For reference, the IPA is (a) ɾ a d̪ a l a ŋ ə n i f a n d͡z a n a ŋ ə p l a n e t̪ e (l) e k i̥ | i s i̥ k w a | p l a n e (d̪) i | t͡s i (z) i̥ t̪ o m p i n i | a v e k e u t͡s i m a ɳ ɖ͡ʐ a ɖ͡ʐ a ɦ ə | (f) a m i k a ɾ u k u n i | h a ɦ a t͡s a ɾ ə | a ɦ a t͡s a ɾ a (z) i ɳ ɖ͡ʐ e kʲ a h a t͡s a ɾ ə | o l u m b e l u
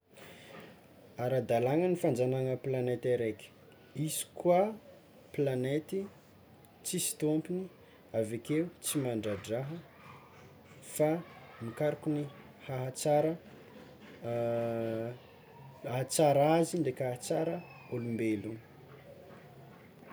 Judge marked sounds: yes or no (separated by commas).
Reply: yes, no, no, no, yes, yes